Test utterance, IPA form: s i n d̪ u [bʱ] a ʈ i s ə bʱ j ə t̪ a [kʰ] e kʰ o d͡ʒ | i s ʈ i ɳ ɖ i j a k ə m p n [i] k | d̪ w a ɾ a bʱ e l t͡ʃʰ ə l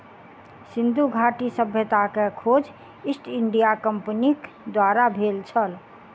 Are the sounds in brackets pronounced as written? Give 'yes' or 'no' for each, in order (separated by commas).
no, no, yes